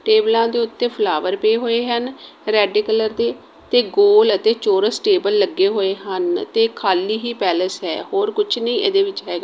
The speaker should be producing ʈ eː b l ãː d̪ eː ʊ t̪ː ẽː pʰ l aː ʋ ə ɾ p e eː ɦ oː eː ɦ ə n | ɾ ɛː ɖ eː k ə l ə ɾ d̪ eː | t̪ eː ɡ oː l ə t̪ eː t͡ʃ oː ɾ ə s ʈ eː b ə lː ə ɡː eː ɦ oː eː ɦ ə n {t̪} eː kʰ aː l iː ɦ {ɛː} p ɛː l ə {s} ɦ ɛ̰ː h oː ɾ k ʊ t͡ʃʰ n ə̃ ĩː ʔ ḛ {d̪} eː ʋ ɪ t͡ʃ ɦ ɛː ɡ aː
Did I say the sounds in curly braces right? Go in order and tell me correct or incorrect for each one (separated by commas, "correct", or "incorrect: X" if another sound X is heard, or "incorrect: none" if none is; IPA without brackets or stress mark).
correct, incorrect: iː, correct, correct